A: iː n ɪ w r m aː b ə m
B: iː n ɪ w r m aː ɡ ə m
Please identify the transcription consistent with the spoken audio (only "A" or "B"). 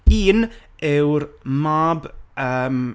A